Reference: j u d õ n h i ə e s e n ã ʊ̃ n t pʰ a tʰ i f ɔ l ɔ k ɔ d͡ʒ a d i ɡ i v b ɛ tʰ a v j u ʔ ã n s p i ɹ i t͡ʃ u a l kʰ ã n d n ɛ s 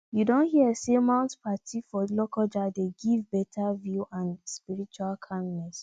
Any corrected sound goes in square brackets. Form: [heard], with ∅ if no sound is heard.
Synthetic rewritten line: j u d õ n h i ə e s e [m] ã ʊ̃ n t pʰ a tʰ i f ɔ l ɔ k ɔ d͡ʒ a d [e] ɡ i v b ɛ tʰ a v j u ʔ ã n s p i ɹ i t͡ʃ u a l kʰ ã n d n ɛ s